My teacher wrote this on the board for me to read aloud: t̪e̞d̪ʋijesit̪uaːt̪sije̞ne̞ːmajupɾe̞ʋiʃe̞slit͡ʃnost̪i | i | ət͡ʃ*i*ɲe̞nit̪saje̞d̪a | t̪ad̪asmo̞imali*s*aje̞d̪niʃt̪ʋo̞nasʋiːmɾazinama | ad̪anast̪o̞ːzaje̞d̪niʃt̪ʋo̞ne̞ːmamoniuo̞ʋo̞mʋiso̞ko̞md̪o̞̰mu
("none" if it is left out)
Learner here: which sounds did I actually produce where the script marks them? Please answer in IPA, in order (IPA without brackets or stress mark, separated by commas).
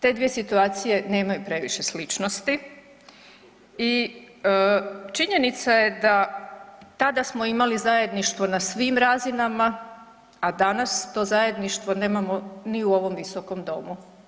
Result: i, z